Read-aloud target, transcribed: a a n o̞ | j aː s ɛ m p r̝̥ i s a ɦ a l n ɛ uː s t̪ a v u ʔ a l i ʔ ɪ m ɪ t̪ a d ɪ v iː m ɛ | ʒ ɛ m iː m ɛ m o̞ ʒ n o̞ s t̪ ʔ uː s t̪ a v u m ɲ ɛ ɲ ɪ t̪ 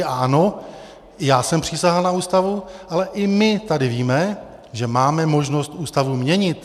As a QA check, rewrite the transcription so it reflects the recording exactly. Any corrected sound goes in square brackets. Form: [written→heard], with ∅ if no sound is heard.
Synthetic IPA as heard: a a n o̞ | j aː s ɛ m p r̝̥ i s a ɦ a l n [ɛ→a] uː s t̪ a v u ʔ a l [i→ɛ] ʔ ɪ m ɪ t̪ a d ɪ v iː m ɛ | ʒ ɛ m [iː→aː] m ɛ m o̞ ʒ n o̞ s t̪ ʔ uː s t̪ a v u m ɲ ɛ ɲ ɪ t̪